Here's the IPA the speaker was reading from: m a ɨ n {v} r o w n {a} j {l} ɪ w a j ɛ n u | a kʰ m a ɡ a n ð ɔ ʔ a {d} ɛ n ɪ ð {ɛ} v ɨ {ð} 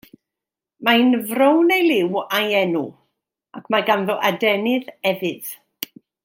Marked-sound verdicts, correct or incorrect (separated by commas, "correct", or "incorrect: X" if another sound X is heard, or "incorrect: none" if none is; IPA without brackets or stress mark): correct, incorrect: e, correct, correct, correct, correct